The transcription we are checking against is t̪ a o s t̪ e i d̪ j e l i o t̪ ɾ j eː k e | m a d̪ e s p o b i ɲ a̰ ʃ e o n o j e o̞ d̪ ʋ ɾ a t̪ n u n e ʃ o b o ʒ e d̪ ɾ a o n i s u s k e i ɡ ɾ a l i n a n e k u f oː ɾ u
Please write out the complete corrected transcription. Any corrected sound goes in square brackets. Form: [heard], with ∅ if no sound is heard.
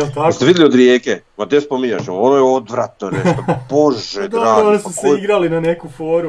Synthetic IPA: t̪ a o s t̪ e i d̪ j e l i o [d̪] ɾ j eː k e | m a d̪ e s p o [m] i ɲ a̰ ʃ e o n o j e o̞ d̪ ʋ ɾ a t̪ n [o] n e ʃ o b o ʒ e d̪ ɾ a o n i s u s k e i ɡ ɾ a l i n a n e k u f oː ɾ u